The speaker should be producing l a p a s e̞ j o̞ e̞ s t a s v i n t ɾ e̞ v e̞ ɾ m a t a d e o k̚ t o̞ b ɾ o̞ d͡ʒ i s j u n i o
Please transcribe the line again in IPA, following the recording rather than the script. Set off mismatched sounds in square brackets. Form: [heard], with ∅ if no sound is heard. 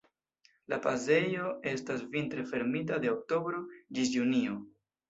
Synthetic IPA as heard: l a p a [z] e̞ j o̞ e̞ s t a s v i n t ɾ e̞ [f] e̞ ɾ m [i] t a d e o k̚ t o̞ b ɾ o̞ d͡ʒ i s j u n i o